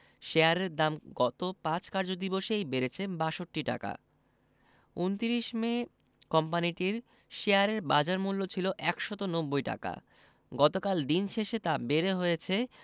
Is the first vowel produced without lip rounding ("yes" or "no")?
yes